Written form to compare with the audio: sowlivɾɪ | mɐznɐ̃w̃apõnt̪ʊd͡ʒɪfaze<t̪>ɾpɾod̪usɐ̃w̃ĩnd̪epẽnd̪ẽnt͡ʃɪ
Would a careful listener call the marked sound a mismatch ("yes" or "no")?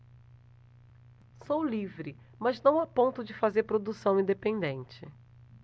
yes